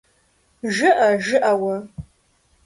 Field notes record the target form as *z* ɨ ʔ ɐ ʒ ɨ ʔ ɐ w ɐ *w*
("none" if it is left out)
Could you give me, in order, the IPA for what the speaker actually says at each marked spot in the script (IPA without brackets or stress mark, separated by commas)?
ʒ, none